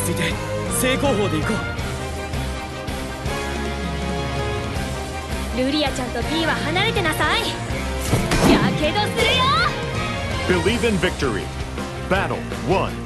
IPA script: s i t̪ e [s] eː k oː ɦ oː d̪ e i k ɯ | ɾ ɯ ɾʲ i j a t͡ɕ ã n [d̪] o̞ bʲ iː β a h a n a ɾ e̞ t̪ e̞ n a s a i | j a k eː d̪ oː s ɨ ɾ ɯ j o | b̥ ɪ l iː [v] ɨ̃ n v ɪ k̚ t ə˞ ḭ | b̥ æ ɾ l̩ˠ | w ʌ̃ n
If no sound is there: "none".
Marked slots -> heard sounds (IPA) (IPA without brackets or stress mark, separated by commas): s, t̪, v